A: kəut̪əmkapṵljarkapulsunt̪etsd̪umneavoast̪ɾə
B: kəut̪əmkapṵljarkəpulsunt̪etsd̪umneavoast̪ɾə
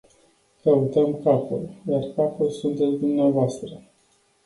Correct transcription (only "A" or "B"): A